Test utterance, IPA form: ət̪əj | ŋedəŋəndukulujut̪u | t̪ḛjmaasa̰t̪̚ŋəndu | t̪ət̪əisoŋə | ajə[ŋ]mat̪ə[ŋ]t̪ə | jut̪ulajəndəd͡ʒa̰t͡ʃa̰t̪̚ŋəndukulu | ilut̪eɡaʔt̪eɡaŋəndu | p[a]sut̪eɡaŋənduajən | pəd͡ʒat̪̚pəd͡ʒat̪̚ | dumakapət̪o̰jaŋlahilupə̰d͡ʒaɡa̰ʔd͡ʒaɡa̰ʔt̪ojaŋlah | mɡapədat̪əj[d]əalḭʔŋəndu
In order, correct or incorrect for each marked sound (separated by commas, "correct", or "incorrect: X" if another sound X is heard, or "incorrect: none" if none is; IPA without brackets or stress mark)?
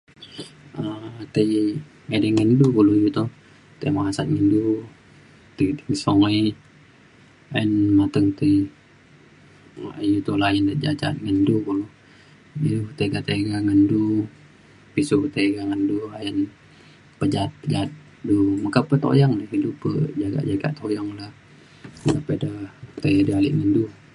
incorrect: n, correct, incorrect: i, correct